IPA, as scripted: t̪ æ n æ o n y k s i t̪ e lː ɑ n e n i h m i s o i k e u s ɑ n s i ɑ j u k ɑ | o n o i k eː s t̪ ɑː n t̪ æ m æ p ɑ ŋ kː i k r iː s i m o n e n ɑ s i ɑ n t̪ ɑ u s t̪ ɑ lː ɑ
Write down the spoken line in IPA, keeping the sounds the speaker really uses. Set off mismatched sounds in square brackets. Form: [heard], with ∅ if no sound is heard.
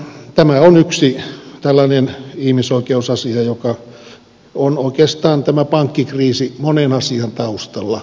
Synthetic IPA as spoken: t̪ æ [m] æ o n y k s i t̪ [æ] lː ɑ n e n i h m i s o i k e u s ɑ [∅] s i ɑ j [o] k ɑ | o n o i k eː s t̪ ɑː n t̪ æ m æ p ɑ ŋ kː i k r iː s i m o n e n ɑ s i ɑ n t̪ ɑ u s t̪ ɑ lː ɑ